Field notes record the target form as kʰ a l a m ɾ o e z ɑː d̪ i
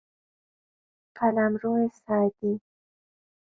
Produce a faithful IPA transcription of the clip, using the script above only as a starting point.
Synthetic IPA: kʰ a l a m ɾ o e s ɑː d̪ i